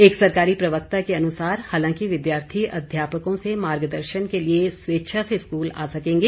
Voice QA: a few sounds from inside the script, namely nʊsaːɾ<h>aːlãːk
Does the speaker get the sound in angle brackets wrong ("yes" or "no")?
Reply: no